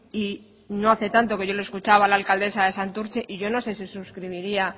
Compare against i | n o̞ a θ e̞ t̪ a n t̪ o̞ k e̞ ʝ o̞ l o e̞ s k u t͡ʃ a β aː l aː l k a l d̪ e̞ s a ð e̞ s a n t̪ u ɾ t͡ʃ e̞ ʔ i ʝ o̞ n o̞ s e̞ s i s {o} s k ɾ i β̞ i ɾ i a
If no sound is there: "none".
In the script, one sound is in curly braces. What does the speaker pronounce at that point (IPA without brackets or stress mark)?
u